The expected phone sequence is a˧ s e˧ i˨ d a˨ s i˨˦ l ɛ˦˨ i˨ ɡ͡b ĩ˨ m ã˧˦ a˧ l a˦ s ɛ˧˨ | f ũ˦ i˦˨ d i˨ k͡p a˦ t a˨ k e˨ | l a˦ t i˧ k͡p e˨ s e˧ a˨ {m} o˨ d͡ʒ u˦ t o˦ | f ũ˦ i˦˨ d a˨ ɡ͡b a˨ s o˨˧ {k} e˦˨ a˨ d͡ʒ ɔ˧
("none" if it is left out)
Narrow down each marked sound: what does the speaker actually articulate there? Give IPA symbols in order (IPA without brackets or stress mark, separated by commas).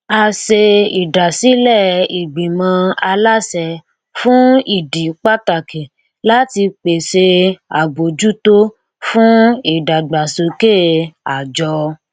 b, k